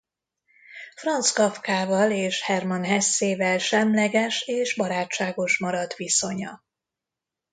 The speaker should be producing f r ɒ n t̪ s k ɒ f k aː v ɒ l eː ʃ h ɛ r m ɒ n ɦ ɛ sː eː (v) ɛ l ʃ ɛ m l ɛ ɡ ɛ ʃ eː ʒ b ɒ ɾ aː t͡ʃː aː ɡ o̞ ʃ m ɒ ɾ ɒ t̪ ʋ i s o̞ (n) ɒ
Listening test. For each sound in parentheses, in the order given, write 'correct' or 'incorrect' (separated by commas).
correct, incorrect